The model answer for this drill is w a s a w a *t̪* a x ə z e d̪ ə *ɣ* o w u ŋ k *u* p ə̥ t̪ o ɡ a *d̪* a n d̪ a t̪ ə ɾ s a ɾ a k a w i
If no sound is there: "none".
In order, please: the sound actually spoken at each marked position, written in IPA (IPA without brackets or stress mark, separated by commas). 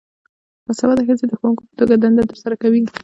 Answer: d̪, x, o, d̪